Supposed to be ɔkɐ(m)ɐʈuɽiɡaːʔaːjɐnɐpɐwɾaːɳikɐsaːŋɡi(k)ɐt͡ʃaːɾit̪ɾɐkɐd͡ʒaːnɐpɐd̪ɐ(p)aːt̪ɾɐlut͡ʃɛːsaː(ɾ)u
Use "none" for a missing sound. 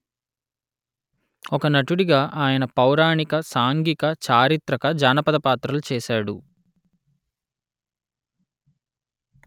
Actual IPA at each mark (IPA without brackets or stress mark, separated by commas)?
n, k, p, ɽ